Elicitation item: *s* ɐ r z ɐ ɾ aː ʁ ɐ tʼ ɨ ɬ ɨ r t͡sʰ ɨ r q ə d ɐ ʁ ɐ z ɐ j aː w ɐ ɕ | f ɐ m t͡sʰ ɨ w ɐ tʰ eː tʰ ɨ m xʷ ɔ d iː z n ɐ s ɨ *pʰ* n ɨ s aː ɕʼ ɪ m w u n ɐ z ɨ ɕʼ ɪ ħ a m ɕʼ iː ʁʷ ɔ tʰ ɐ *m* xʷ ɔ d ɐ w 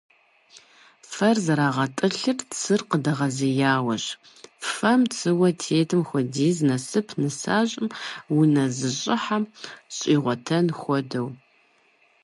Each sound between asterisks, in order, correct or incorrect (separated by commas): incorrect, correct, incorrect